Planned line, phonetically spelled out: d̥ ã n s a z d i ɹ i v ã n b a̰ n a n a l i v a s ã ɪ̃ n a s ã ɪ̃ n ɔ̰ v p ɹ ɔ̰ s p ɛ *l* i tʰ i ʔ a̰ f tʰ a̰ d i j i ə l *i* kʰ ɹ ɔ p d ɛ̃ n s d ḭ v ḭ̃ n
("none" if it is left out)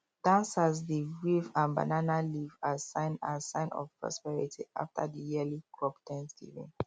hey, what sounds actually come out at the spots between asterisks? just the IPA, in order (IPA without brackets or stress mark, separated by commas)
ɹ, i